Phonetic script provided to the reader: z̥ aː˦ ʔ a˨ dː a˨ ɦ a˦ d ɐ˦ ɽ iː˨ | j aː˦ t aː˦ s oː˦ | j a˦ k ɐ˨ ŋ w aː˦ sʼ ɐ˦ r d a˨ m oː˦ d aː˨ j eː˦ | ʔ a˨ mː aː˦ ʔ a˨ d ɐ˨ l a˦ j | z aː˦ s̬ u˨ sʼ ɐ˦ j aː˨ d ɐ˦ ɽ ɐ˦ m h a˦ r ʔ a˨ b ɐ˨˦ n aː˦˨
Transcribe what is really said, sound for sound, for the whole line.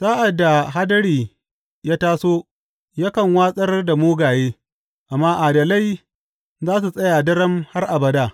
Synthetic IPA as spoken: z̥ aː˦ ʔ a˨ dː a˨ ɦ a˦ d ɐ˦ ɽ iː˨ | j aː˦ t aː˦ s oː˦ | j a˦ k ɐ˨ ŋ w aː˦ sʼ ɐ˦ r d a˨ m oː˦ ɡ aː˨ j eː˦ | ʔ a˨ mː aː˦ ʔ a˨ d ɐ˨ l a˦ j | z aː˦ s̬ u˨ sʼ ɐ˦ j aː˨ d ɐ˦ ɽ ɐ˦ m h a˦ r ʔ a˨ b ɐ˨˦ d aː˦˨

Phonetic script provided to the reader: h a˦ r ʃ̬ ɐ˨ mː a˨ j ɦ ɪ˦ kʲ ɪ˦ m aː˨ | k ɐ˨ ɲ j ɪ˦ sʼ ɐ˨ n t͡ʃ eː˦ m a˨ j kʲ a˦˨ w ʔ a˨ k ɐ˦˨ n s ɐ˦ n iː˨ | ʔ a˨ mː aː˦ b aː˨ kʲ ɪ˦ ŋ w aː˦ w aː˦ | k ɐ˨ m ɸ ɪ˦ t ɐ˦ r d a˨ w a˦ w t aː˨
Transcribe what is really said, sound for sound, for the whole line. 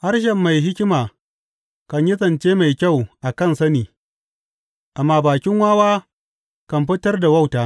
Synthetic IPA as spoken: h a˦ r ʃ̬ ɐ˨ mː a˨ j ɦ ɪ˦ kʲ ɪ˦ m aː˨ | k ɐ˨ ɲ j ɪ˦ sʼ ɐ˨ n t͡ʃ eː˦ m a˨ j kʲ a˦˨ w ʔ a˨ k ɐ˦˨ n s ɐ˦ n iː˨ | ʔ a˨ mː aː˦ b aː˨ kʲ ɪ˦ ŋ w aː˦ w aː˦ | k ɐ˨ m ɸ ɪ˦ t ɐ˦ r d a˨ w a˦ w t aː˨

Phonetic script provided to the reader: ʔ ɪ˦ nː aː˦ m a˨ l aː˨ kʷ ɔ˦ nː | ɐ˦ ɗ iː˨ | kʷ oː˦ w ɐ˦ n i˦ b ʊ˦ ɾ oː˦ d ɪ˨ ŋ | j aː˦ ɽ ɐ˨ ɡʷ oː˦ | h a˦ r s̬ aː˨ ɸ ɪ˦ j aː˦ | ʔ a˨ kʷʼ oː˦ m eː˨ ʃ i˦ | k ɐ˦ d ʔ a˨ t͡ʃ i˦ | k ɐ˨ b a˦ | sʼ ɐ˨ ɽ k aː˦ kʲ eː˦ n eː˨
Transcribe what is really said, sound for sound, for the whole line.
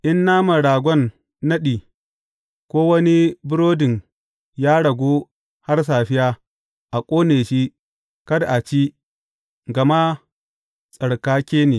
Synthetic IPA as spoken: ʔ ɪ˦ nː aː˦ m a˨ ɽ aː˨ ɡʷ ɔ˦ nː | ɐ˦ ɗ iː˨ | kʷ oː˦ w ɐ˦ n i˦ b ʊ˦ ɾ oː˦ d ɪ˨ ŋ | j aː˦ ɽ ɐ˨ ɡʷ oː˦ | h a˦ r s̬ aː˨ ɸ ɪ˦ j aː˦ | ʔ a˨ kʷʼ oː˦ n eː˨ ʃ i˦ | k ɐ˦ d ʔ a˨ t͡ʃ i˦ | ɡ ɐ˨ m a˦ | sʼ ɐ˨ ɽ k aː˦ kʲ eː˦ n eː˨

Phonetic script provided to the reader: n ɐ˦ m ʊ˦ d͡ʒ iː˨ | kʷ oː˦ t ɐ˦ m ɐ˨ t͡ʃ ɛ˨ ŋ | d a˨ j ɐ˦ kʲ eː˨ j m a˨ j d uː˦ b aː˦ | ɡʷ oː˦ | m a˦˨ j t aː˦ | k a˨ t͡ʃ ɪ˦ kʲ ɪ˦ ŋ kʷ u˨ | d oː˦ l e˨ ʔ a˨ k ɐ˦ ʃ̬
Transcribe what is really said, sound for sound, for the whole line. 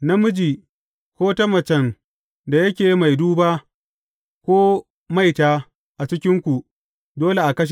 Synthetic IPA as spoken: n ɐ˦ m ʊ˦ d͡ʒ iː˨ | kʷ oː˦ t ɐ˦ m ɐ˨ t͡ʃ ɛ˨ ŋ | d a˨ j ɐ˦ kʲ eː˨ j m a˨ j d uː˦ b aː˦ | kʷ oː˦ | m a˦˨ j t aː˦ | ʔ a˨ t͡ʃ ɪ˦ kʲ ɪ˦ ŋ kʷ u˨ | d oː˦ l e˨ ʔ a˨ k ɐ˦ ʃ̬

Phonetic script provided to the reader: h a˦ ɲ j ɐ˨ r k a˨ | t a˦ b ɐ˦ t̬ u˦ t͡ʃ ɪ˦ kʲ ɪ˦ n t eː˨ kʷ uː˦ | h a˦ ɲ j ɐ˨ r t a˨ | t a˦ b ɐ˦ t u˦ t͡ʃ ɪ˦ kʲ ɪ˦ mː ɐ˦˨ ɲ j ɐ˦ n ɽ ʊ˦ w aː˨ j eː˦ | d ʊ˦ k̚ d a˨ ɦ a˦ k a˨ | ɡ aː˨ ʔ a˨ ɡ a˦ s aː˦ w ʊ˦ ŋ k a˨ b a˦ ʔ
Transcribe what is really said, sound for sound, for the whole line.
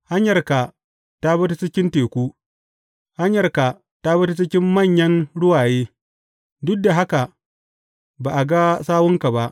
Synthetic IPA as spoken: h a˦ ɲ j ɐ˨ r k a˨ | t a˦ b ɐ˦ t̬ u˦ t͡ʃ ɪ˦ kʲ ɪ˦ n t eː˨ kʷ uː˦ | h a˦ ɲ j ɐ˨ r k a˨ | t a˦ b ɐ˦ t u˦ t͡ʃ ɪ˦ kʲ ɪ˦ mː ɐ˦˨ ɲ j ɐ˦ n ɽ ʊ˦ w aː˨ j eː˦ | d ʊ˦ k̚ d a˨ ɦ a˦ k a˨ | b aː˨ ʔ a˨ ɡ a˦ s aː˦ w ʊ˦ ŋ k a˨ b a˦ ʔ

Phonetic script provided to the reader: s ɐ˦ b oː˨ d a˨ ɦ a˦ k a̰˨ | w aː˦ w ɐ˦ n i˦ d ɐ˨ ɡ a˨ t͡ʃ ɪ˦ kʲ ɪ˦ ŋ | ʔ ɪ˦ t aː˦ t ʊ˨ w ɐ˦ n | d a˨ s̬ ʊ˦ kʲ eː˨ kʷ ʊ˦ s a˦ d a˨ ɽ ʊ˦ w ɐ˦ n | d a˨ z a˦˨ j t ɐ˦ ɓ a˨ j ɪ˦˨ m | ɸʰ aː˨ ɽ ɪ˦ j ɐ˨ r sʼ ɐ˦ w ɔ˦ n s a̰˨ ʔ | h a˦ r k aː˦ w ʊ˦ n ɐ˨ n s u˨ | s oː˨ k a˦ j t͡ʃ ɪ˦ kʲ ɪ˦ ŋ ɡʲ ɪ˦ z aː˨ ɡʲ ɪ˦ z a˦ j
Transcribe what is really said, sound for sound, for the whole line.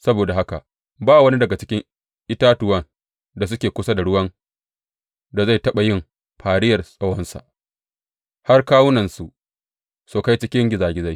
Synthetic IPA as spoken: s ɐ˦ b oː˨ d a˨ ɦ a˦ k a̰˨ | b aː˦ w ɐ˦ n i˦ d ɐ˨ ɡ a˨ t͡ʃ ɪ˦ kʲ ɪ˦ ŋ | ʔ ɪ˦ t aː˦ t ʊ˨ w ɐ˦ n | d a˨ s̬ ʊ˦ kʲ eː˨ kʷ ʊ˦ s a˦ d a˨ ɽ ʊ˦ w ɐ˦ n | d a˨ z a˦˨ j t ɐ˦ ɓ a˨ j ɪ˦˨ m | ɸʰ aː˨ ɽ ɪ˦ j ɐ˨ r sʼ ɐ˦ w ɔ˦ n s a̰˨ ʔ | h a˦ r k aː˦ w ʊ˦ n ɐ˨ n s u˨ | s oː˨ k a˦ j t͡ʃ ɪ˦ kʲ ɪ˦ ŋ ɡʲ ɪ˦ z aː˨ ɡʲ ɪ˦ z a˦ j

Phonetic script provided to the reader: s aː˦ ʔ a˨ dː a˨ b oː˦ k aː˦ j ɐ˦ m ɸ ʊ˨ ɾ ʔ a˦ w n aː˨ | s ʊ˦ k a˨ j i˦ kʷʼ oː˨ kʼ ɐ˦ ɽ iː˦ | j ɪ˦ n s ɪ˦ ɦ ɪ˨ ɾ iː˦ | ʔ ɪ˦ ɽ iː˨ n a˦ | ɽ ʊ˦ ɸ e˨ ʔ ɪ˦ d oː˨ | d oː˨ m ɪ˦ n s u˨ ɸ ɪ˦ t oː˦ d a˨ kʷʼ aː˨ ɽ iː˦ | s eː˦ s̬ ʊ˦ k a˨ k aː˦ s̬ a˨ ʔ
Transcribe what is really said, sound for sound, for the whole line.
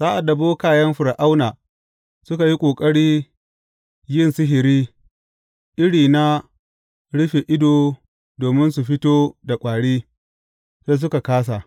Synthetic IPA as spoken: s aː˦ ʔ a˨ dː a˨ b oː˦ k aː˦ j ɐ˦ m ɸ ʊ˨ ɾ ʔ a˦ w n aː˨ | s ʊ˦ k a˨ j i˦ kʷʼ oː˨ kʼ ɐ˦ ɽ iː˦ | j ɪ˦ n s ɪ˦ ɦ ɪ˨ ɾ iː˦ | ʔ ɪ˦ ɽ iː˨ n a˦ | ɽ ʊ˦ ɸ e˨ ʔ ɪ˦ d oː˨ | d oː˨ m ɪ˦ n s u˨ ɸ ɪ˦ t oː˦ d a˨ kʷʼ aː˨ ɽ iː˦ | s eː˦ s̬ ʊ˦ k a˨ k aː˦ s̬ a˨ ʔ

